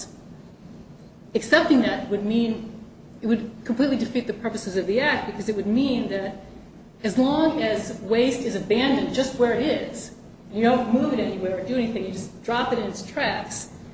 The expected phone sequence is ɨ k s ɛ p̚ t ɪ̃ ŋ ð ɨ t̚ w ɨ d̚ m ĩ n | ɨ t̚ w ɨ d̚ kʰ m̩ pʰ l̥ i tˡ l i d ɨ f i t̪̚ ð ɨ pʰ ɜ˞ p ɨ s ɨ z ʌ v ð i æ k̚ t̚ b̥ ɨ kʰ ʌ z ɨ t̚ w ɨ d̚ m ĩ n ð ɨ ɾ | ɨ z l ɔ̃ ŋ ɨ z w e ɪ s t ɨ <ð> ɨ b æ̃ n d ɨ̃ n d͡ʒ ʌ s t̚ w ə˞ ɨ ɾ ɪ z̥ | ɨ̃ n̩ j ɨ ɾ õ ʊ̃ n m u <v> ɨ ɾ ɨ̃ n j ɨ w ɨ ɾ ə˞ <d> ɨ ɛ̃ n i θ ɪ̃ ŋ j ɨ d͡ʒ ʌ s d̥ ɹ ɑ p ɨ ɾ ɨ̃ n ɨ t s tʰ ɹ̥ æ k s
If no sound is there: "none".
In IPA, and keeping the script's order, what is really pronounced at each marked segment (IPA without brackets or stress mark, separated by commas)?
z, v, d